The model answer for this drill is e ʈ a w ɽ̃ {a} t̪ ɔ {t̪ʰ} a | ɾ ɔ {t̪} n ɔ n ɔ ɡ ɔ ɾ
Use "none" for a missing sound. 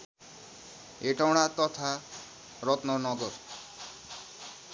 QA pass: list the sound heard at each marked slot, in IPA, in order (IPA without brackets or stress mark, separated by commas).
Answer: a, t̪ʰ, t̪